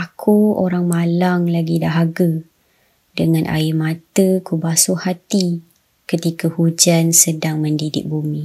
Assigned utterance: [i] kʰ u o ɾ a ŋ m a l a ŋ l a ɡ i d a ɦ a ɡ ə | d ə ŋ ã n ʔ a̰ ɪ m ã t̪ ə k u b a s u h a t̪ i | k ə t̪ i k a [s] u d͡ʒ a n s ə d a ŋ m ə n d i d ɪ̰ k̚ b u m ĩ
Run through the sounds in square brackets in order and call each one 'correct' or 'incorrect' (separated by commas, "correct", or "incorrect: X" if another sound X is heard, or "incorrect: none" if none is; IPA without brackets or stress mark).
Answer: incorrect: a, incorrect: h